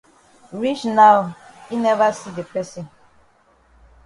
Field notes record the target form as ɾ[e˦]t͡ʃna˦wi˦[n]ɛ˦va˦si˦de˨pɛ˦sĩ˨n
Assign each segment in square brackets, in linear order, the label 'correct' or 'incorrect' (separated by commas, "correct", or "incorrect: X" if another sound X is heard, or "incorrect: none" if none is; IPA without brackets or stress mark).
incorrect: i˦, correct